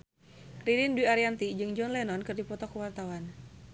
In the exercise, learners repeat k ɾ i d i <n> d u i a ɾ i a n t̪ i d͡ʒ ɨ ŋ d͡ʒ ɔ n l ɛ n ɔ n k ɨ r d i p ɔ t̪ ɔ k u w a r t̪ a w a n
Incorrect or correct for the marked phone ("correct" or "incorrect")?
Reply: correct